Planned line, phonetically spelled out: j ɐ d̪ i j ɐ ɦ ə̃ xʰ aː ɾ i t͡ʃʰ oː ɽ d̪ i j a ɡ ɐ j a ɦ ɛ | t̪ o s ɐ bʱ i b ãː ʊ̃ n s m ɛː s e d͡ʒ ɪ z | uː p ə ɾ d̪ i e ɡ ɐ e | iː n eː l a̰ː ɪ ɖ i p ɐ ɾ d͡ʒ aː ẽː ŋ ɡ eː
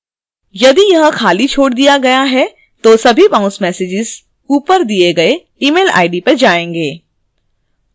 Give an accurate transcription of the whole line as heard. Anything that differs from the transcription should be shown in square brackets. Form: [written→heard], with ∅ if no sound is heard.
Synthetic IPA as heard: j ɐ d̪ i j ɐ ɦ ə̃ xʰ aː [ɾ→l] i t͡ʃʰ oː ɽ d̪ i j a ɡ ɐ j a ɦ ɛ | t̪ o s ɐ bʱ i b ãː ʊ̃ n s m ɛː s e d͡ʒ ɪ z | uː p ə ɾ d̪ i e ɡ ɐ e | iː [n→m] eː l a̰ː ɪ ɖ i p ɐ ɾ d͡ʒ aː ẽː ŋ ɡ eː